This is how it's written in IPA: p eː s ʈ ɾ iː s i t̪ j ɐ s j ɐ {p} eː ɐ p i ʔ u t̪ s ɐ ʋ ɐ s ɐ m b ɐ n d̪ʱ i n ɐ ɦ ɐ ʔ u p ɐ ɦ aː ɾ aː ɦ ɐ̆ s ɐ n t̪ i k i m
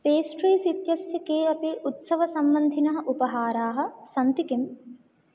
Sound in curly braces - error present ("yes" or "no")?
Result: yes